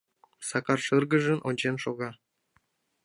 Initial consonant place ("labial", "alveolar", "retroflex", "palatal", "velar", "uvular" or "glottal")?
alveolar